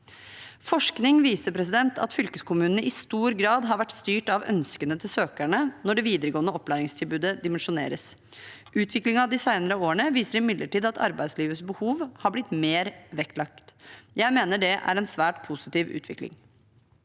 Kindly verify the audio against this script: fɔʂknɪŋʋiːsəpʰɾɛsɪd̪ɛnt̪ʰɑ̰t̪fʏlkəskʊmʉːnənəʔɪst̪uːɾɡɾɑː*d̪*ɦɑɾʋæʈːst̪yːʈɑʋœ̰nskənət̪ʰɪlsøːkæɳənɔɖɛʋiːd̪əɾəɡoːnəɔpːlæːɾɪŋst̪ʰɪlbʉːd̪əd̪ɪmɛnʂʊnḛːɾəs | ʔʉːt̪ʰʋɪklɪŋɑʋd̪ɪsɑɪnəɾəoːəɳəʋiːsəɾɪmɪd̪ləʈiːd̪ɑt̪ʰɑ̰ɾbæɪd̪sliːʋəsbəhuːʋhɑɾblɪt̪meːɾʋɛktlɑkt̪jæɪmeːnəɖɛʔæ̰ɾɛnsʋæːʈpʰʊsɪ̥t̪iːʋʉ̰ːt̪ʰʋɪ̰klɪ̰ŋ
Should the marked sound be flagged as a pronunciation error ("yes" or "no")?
no